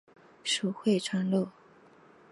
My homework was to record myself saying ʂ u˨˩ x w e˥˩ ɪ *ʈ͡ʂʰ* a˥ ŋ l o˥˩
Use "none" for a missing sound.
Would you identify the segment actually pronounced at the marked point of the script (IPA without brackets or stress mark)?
ʈ͡ʂʰ